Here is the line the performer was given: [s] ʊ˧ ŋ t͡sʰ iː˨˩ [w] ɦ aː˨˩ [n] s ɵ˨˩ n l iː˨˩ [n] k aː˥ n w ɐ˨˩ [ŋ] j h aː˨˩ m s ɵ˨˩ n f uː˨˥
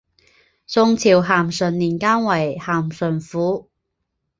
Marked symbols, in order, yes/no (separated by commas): yes, yes, no, yes, no